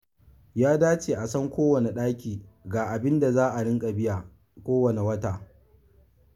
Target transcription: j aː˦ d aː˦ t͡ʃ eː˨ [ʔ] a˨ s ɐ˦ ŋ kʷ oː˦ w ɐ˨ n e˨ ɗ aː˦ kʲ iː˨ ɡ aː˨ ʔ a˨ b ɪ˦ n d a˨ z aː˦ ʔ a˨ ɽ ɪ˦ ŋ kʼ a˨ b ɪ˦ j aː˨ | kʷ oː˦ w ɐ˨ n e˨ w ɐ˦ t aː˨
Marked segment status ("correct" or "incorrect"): correct